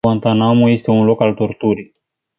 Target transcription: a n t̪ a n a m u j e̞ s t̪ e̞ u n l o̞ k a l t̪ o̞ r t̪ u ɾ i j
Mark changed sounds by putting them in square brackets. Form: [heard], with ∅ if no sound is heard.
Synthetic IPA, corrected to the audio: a n t̪ a n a m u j e̞ s t̪ e̞ u n l o̞ k a l t̪ o̞ r t̪ u ɾ i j